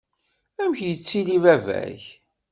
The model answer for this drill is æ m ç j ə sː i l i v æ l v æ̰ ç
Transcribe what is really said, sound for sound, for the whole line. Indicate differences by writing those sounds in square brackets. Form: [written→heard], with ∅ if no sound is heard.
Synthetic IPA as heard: æ m ç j ə [sː→t͡sː] i l i v æ [l→∅] v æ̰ ç